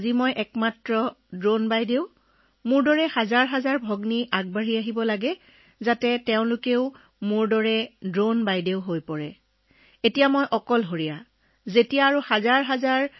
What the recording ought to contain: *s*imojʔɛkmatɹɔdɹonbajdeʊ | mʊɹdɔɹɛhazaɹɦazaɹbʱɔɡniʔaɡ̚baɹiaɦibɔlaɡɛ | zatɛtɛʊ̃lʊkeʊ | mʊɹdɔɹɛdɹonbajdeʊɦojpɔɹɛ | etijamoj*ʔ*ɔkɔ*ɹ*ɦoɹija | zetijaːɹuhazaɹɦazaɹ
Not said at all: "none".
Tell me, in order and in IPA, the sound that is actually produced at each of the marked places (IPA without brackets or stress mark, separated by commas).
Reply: z, ʔ, l